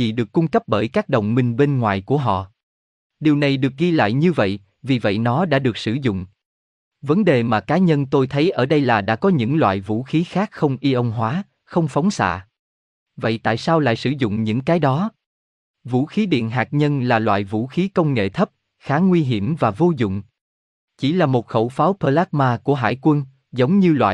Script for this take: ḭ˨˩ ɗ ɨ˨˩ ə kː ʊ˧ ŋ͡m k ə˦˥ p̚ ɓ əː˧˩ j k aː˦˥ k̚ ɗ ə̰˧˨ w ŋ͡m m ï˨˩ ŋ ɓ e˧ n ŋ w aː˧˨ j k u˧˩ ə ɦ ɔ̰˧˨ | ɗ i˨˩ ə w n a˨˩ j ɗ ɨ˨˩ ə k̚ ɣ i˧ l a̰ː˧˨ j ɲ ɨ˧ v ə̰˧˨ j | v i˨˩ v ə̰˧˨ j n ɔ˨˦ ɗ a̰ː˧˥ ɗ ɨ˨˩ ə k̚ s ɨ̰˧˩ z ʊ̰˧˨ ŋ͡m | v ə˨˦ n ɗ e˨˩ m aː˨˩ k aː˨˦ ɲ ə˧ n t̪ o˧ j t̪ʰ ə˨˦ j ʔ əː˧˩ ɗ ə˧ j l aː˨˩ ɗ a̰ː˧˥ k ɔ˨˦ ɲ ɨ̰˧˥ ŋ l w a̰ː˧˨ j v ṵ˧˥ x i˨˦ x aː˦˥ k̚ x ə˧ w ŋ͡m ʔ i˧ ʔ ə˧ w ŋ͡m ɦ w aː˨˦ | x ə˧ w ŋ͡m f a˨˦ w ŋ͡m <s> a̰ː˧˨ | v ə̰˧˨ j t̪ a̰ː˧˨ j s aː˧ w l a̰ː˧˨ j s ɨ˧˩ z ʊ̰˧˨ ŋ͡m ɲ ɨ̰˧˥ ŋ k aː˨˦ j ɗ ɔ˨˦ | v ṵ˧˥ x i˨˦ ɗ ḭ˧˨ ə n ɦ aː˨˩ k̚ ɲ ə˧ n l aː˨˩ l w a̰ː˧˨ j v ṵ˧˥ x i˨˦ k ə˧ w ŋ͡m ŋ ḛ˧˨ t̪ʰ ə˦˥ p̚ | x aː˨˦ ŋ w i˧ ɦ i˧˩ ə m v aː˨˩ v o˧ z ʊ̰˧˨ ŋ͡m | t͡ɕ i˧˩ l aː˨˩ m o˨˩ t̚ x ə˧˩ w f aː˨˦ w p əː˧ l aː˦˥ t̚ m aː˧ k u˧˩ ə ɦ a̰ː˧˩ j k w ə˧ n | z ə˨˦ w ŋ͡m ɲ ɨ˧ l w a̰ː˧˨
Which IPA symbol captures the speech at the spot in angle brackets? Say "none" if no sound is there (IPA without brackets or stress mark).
s